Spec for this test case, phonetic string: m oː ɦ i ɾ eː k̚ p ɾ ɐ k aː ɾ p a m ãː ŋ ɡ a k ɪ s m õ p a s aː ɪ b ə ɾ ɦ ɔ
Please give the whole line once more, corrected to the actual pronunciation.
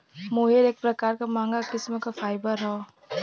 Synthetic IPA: m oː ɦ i ɾ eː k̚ p ɾ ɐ k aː ɾ k a m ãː ŋ ɡ a k ɪ s m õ k a f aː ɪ b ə ɾ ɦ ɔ

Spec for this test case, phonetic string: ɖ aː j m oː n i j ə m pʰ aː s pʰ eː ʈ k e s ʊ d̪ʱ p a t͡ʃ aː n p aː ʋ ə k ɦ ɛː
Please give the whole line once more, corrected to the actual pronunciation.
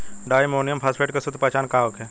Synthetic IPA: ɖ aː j m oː n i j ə m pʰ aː s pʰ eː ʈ k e s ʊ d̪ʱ p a t͡ʃ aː n k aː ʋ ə k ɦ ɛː

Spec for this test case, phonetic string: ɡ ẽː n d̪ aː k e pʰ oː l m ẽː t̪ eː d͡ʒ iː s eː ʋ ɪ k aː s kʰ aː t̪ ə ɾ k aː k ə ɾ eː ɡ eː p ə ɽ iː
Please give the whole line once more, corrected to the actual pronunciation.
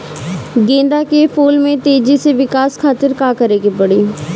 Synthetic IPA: ɡ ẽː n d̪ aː k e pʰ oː l m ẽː t̪ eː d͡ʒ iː s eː ʋ ɪ k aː s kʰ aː t̪ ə ɾ k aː k ə ɾ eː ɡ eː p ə ɽ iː

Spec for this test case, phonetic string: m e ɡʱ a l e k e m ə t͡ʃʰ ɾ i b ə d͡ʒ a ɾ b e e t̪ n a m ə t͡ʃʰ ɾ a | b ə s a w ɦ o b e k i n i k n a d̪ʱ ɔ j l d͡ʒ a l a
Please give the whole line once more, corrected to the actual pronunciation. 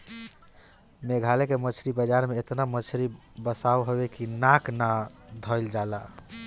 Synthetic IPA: m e ɡʱ a l e k e m ə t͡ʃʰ ɾ i b ə d͡ʒ a ɾ m e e t̪ n a m ə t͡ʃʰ ɾ i | b ə s a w ɦ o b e k i n a k n a d̪ʱ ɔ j l d͡ʒ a l a

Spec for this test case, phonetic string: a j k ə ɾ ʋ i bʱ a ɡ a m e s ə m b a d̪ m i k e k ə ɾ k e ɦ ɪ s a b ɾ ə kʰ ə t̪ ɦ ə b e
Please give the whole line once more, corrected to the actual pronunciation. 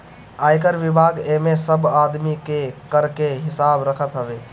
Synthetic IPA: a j k ə ɾ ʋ i bʱ a ɡ e m e s ə b a d̪ m i k e k ə ɾ k e ɦ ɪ s a b ɾ ə kʰ ə t̪ ɦ ə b e

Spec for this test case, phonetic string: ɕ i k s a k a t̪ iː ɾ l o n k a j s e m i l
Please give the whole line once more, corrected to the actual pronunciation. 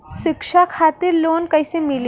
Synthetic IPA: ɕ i k ʂ a kʰ a t̪ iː ɾ l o n k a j s e m i l

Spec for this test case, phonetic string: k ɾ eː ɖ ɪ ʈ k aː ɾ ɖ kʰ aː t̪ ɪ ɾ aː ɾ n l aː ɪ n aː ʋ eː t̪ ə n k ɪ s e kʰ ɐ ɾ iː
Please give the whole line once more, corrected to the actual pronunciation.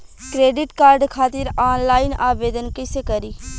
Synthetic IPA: k ɾ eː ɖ ɪ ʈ k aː ɾ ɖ kʰ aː t̪ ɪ ɾ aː n l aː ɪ n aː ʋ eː d̪ ə n k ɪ s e k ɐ ɾ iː

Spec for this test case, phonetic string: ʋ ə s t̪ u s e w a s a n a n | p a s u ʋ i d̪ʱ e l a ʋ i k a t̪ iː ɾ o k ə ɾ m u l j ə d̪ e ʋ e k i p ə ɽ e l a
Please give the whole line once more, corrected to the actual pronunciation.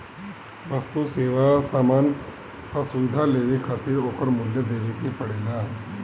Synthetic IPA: ʋ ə s t̪ u s e ʋ a s a m a n | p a s u ʋ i d̪ʱ a l e ʋ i kʰ a t̪ iː ɾ o k ə ɾ m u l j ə d̪ e ʋ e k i p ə ɽ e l a

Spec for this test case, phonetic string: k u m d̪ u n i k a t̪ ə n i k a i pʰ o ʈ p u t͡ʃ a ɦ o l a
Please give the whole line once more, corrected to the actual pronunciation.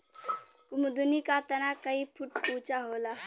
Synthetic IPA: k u m d̪ u n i k a t̪ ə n a k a i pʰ u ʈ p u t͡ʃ a ɦ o l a

